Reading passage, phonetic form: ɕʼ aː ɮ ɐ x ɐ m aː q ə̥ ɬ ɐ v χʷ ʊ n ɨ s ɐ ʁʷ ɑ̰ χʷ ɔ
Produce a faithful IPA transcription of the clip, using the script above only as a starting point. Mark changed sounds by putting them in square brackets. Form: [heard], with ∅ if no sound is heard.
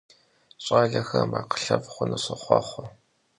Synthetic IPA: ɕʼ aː ɮ ɐ x ɐ m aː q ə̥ ɬ ɐ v χʷ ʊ n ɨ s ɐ [χʷ] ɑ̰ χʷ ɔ

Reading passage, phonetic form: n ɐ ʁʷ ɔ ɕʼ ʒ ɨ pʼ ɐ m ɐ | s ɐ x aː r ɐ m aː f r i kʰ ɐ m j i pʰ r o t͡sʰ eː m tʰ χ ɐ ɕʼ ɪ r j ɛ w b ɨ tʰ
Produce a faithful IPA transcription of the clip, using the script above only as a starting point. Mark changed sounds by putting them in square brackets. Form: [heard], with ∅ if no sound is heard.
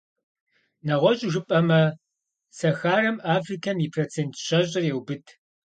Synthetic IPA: n ɐ ʁʷ ɔ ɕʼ ʒ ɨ pʼ ɐ m ɐ | s ɐ x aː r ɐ m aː f r i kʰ ɐ m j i pʰ r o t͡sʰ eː [n] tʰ [ɕ] ɐ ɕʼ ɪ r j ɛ w b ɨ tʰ

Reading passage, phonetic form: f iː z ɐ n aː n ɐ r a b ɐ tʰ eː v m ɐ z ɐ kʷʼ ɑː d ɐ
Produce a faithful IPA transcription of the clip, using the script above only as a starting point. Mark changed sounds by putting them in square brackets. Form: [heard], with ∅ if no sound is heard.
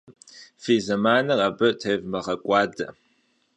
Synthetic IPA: f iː z ɐ [m] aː n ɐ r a b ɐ tʰ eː v m ɐ [ʁ] ɐ kʷʼ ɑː d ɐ

